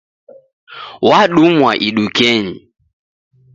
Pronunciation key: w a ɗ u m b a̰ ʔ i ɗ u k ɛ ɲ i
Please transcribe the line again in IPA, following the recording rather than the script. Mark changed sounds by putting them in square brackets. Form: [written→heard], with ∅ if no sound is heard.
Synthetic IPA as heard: w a ɗ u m [b→w] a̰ ʔ i ɗ u k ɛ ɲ i

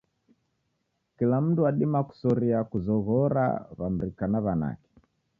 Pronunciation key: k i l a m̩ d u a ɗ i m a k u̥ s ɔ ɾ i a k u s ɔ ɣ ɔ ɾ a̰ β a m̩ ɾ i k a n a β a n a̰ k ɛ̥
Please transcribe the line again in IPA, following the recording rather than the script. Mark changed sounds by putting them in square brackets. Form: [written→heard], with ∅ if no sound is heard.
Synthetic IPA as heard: k i l a m̩ d u a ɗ i m a k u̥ s ɔ ɾ i a k u [s→z] ɔ ɣ ɔ ɾ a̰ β a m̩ ɾ i k a n a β a n a̰ k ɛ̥

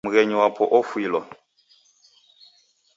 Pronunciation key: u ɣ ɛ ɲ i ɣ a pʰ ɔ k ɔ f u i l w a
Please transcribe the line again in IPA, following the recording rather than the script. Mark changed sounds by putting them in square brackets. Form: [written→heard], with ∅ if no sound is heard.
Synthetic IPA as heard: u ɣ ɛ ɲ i [ɣ→w] a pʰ ɔ [k→ʔ] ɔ f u i l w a

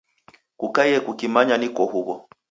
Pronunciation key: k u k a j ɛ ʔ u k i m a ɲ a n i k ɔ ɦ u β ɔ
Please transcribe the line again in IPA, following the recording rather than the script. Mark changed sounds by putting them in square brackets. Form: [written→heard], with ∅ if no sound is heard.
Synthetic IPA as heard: k u k a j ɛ [ʔ→k] u k i m a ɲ a n i k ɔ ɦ u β ɔ

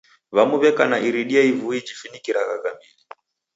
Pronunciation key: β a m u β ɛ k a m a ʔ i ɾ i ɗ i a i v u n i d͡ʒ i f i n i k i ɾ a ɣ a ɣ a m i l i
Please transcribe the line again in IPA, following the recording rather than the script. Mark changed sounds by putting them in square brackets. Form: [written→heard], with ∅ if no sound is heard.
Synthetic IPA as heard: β a m u β ɛ k a [m→n] a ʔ i ɾ i ɗ i a i v u [n→∅] i d͡ʒ i f i n i k i ɾ a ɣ a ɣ a m i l i

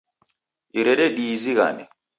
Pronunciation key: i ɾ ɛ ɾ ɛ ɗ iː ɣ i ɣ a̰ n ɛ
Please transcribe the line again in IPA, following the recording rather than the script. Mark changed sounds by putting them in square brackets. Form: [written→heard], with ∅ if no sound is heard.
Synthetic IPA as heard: i ɾ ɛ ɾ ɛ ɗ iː [ɣ→z] i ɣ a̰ n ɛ

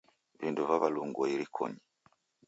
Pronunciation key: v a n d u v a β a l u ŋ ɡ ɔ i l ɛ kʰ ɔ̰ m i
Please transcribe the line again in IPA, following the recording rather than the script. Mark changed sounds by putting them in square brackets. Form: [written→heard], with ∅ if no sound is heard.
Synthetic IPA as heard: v [a→i] n d u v a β a l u ŋ ɡ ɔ i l [ɛ→i] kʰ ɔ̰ [m→ɲ] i

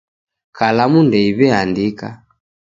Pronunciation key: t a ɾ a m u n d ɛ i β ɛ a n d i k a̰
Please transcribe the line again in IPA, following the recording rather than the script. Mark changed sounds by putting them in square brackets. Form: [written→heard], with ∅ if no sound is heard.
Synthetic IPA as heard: [t→k] a [ɾ→l] a m u n d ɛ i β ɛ a n d i k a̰

